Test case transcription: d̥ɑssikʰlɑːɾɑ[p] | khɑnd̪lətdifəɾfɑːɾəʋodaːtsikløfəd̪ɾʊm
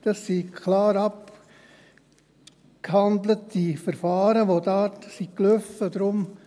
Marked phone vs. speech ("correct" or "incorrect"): correct